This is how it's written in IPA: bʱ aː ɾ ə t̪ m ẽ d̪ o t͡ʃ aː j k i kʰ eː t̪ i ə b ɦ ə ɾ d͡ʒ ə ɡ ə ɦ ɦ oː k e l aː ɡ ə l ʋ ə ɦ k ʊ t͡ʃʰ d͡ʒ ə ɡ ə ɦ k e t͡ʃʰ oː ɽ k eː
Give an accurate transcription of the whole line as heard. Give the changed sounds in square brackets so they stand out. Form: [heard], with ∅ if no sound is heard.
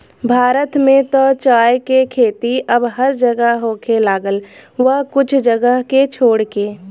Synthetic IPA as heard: bʱ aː ɾ ə t̪ m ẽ [t̪] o t͡ʃ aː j k [e] kʰ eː t̪ i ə b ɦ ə ɾ d͡ʒ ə ɡ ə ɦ ɦ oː k e l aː ɡ ə l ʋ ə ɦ k ʊ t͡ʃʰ d͡ʒ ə ɡ ə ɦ k e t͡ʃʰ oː ɽ k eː